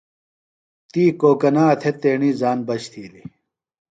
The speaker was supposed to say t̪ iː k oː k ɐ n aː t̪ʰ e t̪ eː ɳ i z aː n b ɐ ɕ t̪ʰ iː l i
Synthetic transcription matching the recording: t̪ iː k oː k ɐ n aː t̪ʰ e t̪ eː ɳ i z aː n b ɐ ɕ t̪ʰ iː l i